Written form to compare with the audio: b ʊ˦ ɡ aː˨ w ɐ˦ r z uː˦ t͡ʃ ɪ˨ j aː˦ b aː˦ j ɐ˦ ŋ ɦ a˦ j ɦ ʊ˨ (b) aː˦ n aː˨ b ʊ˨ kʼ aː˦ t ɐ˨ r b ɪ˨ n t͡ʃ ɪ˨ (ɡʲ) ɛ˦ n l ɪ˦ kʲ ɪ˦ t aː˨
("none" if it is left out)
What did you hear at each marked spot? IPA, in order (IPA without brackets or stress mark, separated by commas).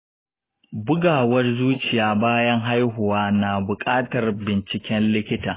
w, kʲ